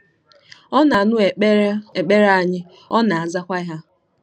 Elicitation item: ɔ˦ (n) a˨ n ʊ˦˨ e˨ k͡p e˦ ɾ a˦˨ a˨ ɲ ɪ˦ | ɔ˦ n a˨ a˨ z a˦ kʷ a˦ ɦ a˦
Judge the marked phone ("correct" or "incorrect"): correct